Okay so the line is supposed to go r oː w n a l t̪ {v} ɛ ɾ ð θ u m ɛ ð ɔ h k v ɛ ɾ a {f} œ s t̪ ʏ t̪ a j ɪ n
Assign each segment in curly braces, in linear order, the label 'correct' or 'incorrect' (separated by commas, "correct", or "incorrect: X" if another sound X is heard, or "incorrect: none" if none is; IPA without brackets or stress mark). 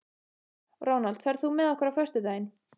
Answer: incorrect: f, correct